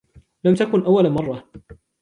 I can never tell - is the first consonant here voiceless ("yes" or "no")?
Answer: no